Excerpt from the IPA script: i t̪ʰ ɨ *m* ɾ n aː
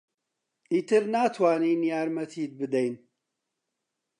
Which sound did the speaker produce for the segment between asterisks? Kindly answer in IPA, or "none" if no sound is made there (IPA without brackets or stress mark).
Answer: none